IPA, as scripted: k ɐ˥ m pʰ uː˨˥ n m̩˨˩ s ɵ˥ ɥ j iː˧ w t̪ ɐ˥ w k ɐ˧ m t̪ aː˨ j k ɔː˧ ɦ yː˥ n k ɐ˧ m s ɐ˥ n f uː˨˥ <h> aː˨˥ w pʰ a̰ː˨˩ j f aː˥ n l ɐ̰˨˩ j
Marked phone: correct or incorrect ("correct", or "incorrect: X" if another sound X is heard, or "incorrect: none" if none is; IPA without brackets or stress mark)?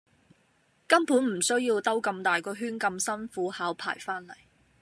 correct